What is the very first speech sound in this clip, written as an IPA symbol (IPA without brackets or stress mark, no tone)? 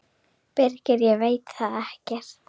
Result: p